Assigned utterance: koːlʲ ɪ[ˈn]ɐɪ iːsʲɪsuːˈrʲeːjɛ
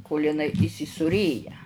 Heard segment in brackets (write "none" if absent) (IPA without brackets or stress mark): n